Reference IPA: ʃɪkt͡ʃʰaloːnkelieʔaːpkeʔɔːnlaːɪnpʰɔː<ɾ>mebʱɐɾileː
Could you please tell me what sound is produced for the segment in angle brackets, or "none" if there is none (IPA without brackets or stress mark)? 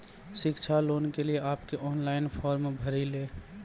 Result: ɾ